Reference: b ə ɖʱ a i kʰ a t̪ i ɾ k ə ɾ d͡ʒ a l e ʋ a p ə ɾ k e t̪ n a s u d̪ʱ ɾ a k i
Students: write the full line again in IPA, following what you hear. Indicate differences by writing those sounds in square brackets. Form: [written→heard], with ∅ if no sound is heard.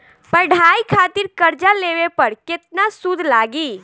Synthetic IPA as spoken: [b→p] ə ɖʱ a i kʰ a t̪ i ɾ k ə ɾ d͡ʒ a l e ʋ [a→e] p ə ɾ k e t̪ n a s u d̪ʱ [ɾ→l] a [k→ɡ] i